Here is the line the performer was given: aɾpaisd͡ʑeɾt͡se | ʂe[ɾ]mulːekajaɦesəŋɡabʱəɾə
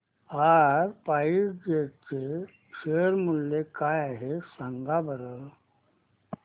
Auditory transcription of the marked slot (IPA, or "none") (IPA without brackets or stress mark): ɾ